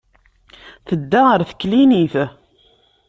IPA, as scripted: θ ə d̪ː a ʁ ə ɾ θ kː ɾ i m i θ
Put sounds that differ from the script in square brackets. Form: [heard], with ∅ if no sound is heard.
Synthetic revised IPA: θ ə d̪ː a ʁ ə ɾ θ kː [l] i [n] i θ